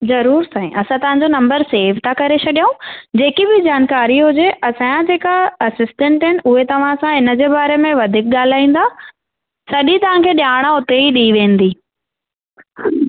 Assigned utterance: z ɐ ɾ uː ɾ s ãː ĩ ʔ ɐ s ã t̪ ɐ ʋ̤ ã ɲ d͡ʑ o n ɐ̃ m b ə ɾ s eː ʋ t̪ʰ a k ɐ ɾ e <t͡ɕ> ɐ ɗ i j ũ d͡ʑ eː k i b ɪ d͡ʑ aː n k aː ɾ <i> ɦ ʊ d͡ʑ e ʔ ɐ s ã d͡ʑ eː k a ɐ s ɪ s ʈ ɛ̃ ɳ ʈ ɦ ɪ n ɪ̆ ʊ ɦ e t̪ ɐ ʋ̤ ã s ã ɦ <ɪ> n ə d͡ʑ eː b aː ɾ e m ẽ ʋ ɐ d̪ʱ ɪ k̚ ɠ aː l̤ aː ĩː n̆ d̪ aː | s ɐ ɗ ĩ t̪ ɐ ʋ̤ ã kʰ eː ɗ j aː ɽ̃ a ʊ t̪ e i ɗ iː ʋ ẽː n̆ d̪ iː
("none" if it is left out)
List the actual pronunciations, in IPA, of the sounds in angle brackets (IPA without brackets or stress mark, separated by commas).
t͡ɕʰ, i, ɪ